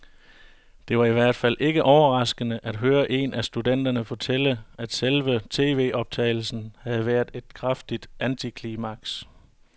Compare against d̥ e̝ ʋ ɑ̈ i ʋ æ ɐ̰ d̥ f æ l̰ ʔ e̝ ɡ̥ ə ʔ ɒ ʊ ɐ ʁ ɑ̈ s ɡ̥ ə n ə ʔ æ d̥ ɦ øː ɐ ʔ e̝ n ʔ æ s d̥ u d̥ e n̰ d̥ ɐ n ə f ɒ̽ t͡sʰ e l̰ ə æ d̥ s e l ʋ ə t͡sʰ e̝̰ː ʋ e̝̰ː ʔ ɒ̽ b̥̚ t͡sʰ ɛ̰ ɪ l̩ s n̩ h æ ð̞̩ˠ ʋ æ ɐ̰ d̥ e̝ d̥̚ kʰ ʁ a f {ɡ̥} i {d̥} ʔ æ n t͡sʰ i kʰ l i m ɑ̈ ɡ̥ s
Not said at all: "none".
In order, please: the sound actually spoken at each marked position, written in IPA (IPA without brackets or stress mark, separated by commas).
d̥, d̥